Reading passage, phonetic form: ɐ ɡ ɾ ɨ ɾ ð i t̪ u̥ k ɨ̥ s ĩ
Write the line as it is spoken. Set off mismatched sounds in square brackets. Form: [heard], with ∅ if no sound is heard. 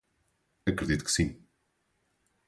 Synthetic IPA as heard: ɐ [k] ɾ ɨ [∅] ð i t̪ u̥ k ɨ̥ s ĩ